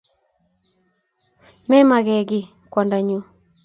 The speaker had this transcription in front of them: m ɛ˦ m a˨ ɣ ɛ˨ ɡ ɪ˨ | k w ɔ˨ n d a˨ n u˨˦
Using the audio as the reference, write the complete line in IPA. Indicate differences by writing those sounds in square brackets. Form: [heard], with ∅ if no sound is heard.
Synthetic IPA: m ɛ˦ m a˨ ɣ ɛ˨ ɡ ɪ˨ | k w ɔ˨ n d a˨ [ɲ] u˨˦